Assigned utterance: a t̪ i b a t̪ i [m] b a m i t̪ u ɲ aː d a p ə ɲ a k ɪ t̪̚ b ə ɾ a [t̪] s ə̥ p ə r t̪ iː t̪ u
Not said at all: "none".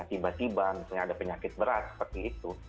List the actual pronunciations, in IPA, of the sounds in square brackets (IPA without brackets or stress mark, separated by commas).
none, t̪